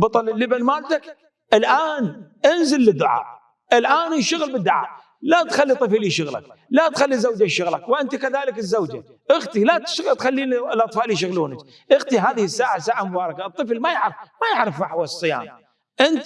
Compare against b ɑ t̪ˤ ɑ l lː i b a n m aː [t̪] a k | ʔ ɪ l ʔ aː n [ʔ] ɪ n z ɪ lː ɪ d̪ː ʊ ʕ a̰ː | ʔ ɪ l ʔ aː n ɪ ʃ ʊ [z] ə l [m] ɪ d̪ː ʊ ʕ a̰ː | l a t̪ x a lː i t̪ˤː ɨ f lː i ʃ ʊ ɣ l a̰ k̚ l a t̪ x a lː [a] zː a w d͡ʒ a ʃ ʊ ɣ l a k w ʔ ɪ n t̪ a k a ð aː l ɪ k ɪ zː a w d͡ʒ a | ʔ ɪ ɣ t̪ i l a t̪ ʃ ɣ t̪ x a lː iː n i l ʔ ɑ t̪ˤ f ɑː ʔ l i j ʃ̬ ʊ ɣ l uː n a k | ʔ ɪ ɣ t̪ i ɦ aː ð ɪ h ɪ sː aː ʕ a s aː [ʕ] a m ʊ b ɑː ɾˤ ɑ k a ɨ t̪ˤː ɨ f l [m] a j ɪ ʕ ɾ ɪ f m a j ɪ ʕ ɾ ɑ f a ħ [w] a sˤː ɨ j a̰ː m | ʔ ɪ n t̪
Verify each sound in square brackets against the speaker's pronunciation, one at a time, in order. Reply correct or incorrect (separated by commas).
correct, correct, incorrect, incorrect, incorrect, correct, correct, correct